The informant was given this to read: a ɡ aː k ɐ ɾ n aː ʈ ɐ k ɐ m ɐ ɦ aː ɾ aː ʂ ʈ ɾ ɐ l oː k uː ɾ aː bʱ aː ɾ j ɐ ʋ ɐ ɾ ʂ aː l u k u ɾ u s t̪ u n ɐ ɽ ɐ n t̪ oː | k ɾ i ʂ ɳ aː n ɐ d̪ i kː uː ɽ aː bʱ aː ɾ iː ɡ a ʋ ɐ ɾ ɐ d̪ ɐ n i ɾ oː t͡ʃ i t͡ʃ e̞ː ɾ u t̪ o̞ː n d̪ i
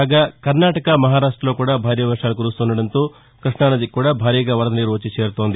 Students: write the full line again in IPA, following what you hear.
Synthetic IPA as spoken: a ɡ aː k ɐ ɾ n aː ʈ ɐ k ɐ m ɐ ɦ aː ɾ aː ʂ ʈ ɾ ɐ l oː k uː ɽ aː bʱ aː ɾ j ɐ ʋ ɐ ɾ ʂ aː l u k u ɾ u s t̪ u n ɐ ɽ ɐ n t̪ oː | k ɾ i ʂ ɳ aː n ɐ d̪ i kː uː ɽ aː bʱ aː ɾ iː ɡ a ʋ ɐ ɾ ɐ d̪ ɐ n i ɾ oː t͡ʃ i t͡ʃ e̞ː ɾ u t̪ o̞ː n d̪ i